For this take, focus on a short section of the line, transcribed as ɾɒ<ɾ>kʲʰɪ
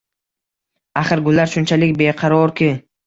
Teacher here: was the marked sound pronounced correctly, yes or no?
yes